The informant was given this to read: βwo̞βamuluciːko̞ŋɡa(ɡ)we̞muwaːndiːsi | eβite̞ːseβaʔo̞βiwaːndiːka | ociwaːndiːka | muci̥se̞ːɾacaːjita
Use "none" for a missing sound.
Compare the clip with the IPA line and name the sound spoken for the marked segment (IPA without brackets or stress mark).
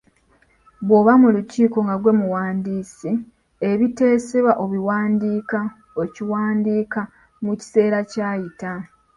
ɡ